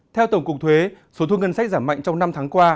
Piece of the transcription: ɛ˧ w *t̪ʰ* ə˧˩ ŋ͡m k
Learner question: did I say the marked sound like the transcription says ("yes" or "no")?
no